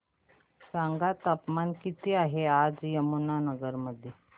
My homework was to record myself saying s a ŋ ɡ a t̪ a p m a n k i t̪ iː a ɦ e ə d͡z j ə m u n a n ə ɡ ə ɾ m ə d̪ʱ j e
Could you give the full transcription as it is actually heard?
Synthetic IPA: s a ŋ ɡ a t̪ a p m a n k i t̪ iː a ɦ e a d͡z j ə m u n a n ə ɡ ə ɾ m ə d̪ʱ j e